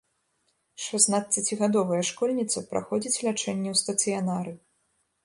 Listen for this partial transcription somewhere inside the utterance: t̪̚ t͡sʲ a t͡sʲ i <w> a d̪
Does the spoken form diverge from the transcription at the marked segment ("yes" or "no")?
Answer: yes